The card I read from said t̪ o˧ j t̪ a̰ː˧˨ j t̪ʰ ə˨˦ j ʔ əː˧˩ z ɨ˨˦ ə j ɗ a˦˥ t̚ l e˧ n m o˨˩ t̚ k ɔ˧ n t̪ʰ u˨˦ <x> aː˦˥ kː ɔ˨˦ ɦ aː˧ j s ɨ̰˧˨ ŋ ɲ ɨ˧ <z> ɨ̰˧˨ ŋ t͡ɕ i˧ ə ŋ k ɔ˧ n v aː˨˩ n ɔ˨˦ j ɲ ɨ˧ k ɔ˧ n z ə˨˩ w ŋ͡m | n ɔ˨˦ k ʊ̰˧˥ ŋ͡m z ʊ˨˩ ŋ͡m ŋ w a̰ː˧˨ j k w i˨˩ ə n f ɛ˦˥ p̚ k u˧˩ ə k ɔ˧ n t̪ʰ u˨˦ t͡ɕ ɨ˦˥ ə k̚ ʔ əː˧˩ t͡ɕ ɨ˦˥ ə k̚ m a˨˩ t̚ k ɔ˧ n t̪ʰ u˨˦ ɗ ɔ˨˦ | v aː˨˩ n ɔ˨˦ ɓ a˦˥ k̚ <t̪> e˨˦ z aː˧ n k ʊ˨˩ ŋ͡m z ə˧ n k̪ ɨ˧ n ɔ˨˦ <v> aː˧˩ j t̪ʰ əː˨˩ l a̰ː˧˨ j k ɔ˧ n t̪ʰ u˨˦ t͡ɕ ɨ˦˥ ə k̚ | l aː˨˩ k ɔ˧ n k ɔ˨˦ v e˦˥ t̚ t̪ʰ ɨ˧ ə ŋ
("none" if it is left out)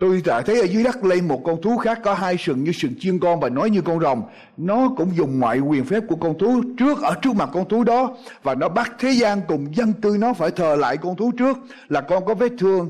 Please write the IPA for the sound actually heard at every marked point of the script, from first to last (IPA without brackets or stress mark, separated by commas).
x, s, t̪ʰ, f